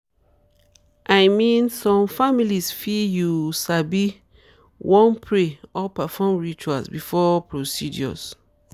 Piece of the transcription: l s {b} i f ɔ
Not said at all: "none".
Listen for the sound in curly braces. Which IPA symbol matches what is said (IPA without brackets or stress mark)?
b